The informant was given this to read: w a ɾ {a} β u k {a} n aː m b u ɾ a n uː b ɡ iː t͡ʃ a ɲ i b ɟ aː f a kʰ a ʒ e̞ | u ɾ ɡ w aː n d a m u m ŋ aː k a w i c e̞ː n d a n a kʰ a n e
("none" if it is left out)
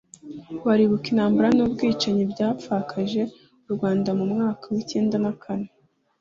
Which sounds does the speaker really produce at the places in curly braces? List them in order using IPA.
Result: i, i

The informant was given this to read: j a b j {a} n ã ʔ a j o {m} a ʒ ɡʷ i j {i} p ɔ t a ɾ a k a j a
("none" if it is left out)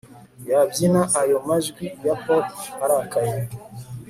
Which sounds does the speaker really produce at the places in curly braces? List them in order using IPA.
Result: i, m, a

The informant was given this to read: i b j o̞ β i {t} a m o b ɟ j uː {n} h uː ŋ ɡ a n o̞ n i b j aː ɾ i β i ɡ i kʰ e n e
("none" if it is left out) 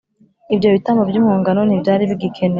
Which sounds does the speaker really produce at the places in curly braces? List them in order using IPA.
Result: t, m

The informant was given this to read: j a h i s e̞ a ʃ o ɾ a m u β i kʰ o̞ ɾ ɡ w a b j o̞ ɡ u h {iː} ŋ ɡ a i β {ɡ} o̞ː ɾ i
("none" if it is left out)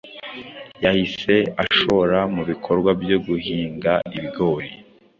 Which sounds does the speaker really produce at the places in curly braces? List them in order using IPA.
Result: iː, ɡ

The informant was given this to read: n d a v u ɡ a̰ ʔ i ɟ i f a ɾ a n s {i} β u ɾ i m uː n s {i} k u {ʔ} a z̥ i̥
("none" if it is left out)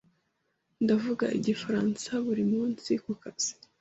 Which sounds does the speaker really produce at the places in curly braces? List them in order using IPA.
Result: a, i, k

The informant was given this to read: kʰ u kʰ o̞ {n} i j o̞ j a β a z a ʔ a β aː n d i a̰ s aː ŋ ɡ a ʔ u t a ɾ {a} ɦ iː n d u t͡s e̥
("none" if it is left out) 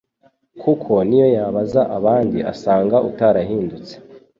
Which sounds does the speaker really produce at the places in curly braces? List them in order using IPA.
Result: n, a

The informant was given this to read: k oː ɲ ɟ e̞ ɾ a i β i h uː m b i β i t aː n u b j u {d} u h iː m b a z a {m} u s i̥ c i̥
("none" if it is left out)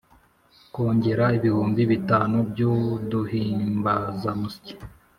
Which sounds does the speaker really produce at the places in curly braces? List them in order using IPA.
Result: d, m

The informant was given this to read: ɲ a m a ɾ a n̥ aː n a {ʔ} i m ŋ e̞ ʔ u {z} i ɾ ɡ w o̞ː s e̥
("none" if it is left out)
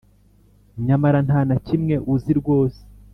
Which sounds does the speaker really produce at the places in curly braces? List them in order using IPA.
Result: c, z

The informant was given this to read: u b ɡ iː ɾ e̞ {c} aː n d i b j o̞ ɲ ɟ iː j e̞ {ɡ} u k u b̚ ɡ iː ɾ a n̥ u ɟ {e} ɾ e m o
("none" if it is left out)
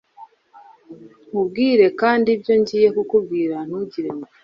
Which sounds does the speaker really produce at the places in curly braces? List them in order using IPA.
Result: k, k, i

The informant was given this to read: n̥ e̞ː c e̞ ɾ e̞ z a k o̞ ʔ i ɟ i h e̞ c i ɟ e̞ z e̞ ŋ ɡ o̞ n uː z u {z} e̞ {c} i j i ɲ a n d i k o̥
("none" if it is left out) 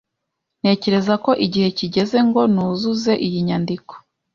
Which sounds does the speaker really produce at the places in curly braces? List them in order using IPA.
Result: z, ʔ

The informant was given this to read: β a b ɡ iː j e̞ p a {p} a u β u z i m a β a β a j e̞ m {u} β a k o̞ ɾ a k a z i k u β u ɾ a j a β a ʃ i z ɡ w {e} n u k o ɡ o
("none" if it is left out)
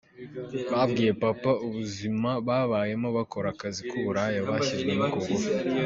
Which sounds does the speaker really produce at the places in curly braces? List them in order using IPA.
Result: p, o, e

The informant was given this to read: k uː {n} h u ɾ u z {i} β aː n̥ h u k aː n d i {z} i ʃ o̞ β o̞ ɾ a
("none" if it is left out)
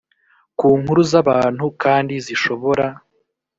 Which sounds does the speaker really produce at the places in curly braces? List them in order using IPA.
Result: ŋ, a, z

